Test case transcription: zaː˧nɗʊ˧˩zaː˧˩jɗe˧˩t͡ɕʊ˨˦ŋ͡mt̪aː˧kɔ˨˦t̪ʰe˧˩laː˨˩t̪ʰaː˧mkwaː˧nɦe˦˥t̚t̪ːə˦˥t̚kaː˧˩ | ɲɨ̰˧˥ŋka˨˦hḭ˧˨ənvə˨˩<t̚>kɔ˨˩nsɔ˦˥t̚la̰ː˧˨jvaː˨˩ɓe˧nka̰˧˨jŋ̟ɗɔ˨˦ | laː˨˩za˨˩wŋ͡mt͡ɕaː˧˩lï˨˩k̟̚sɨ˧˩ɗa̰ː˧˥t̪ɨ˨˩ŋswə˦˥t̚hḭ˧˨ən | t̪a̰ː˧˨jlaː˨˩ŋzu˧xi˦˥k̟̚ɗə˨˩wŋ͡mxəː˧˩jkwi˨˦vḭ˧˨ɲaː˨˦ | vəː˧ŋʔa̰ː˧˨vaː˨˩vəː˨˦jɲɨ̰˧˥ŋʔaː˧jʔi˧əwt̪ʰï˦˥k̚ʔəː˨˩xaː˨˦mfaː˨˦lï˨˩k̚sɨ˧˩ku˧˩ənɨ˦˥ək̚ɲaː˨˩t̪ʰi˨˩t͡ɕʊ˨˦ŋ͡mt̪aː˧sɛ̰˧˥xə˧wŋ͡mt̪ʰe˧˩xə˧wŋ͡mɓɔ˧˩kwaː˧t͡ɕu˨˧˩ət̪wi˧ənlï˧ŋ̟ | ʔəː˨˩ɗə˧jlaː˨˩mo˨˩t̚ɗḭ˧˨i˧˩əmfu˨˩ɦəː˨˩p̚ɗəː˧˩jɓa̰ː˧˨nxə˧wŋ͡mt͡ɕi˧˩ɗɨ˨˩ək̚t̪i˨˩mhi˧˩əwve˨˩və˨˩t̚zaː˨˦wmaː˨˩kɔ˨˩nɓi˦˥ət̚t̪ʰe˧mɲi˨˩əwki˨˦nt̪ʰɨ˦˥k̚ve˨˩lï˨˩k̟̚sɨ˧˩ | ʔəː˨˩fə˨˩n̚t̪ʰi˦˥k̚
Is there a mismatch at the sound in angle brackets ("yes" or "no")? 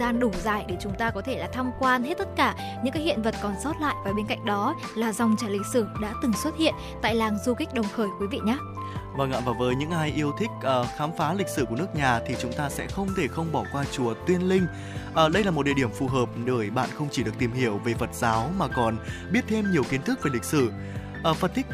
no